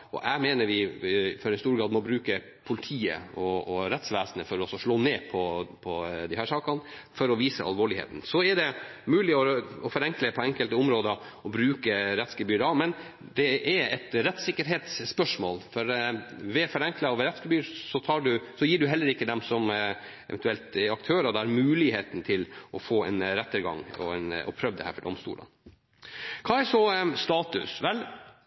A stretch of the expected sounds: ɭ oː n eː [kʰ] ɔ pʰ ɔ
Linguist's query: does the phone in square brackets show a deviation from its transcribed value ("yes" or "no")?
yes